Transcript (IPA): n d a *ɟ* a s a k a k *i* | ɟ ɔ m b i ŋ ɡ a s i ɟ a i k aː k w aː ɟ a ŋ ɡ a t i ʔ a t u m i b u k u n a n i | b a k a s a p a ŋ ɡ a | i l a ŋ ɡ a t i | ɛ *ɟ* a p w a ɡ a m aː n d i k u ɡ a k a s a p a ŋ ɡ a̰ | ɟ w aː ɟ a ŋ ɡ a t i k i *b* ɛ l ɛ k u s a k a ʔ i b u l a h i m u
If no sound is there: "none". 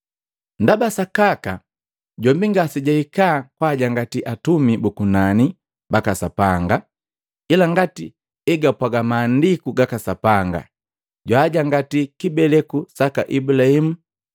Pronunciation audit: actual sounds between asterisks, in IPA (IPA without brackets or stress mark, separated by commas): b, a, ɡ, b